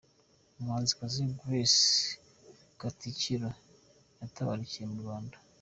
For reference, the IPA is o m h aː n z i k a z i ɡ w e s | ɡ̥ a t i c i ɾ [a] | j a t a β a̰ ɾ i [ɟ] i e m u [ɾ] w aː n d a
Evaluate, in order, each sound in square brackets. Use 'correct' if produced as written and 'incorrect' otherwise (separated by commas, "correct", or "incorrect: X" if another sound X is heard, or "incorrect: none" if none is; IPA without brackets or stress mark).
correct, incorrect: c, correct